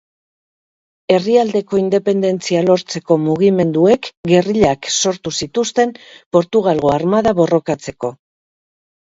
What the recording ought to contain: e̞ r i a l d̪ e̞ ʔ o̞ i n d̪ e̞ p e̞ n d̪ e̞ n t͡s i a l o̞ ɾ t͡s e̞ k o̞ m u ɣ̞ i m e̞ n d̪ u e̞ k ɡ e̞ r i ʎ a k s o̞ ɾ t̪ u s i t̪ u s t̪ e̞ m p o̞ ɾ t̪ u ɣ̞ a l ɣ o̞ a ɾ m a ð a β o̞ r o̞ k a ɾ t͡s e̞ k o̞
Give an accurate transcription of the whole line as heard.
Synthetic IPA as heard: e̞ r i a l d̪ e̞ k o̞ i n d̪ e̞ p e̞ n d̪ e̞ n t͡s i a l o̞ ɾ t͡s e̞ k o̞ m u ɣ̞ i m e̞ n d̪ u e̞ k ɡ e̞ r i ʎ a k s o̞ ɾ t̪ u s i t̪ u s t̪ e̞ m p o̞ ɾ t̪ u ɣ̞ a l ɣ o̞ a ɾ m a ð a β o̞ r o̞ k a t͡s e̞ k o̞

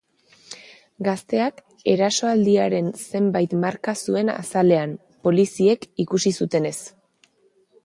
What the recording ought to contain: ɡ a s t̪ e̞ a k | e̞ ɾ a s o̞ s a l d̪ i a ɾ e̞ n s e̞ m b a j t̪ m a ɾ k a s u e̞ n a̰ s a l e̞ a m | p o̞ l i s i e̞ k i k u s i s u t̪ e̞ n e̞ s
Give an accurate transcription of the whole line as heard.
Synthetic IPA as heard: ɡ a s t̪ e̞ a k | e̞ ɾ a s o̞ a l d̪ i a ɾ e̞ n s e̞ m b a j t̪ m a ɾ k a s u e̞ n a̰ s a l e̞ a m | p o̞ l i s i e̞ k i k u s i s u t̪ e̞ n e̞ s

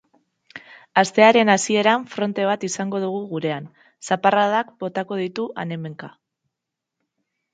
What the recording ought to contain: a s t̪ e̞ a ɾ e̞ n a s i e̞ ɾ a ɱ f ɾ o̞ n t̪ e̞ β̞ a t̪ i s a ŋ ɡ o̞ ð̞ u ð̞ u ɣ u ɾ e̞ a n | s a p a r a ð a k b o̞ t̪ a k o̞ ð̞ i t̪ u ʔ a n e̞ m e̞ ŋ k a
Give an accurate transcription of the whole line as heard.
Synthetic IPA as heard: a s t̪ e̞ a ɾ e̞ n a s i e̞ ɾ a ɱ f ɾ o̞ n t̪ e̞ β̞ a t̪ i s a ŋ ɡ o̞ ð̞ u ɣ̞ u ɣ u ɾ e̞ a n | s a p a r a ð a k b o̞ t̪ a k o̞ ð̞ i t̪ u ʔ a n e̞ m e̞ ŋ k a

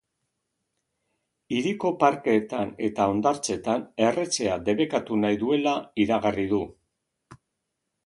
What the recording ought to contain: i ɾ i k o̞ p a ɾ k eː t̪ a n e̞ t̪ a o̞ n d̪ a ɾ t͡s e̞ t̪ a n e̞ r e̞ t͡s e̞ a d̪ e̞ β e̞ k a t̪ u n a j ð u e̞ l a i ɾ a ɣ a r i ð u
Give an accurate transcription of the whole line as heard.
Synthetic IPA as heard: i ɾ i k o̞ p a ɾ k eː t̪ a n e̞ t̪ a o̞ n d̪ a ɾ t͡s e̞ t̪ a n e̞ r e̞ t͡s e̞ a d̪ e̞ β e̞ k a t̪ u n a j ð u e̞ l a i ɾ a ɣ a r i ð u

